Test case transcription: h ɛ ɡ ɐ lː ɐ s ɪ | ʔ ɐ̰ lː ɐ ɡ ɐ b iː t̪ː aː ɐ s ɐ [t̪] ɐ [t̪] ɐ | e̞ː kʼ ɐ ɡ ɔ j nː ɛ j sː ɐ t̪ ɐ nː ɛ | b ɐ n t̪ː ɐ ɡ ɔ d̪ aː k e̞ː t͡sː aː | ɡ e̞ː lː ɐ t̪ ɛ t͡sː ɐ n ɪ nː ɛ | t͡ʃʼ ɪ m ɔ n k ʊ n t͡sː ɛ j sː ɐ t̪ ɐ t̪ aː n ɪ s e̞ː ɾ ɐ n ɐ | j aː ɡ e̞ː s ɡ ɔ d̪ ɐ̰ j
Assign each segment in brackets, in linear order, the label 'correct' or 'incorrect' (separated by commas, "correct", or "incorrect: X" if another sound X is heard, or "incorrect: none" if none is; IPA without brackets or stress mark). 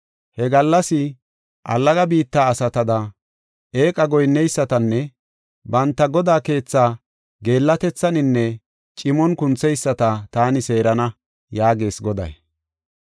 correct, incorrect: d̪